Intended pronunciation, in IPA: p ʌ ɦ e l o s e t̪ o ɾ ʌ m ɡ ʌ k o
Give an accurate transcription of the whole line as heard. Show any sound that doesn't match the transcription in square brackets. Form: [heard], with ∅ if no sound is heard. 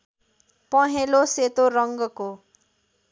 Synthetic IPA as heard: p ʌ ɦ e l o s e t̪ o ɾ ʌ [ŋ] ɡ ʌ k o